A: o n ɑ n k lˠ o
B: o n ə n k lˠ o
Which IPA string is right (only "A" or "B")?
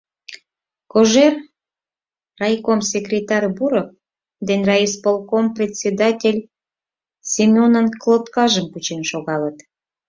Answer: B